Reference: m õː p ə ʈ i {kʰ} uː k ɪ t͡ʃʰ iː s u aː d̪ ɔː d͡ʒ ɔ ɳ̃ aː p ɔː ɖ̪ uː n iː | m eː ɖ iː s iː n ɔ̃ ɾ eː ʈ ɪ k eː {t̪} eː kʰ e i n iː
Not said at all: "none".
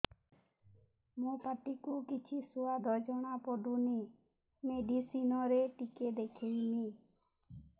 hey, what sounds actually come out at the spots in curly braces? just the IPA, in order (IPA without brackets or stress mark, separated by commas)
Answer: k, d̪